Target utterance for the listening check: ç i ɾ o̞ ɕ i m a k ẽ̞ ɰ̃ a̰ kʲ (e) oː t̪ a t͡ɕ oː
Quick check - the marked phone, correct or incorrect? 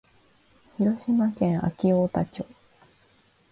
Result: incorrect